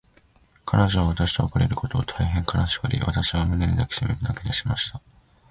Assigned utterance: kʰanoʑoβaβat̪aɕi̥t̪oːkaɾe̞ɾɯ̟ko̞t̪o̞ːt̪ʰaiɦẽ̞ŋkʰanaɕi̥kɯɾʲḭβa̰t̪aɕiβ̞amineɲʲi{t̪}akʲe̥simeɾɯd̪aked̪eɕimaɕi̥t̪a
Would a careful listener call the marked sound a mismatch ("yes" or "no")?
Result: yes